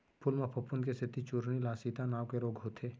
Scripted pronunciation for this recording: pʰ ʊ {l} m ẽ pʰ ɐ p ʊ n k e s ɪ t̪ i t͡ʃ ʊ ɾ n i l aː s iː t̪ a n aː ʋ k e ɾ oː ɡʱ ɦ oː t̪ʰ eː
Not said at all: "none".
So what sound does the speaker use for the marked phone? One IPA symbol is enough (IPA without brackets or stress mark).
l